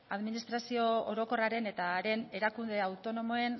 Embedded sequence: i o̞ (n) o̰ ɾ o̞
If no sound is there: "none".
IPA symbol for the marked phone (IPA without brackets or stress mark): none